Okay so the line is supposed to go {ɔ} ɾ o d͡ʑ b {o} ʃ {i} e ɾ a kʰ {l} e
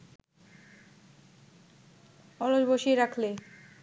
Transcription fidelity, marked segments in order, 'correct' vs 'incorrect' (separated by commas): correct, correct, correct, correct